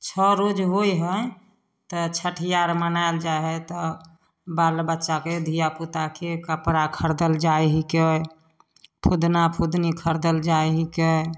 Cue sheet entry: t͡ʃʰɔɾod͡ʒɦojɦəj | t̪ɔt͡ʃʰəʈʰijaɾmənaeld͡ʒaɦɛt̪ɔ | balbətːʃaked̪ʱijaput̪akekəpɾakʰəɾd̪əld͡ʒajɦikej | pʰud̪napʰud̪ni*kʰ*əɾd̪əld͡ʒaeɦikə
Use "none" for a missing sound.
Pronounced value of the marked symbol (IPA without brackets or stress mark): kʰ